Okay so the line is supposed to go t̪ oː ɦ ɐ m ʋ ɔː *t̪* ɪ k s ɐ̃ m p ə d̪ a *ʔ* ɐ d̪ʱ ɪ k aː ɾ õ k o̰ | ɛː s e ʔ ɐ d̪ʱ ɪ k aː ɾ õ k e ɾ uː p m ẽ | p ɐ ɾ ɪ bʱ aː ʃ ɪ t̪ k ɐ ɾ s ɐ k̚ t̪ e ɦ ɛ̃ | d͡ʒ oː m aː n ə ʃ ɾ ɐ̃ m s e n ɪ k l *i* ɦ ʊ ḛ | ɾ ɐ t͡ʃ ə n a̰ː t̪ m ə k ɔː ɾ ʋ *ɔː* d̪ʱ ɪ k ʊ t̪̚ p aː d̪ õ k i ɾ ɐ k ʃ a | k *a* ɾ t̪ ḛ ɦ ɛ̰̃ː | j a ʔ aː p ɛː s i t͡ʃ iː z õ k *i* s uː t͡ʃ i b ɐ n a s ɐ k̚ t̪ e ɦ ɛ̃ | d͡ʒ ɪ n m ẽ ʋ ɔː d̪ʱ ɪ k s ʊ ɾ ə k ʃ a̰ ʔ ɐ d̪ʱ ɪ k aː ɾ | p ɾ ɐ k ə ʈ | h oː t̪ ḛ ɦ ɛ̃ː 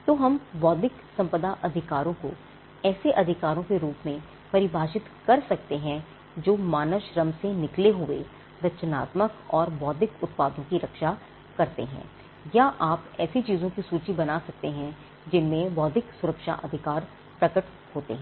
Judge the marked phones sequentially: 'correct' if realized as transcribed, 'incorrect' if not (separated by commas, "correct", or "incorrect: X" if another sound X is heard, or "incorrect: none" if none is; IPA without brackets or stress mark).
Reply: incorrect: d̪, correct, incorrect: e, correct, incorrect: ɐ, correct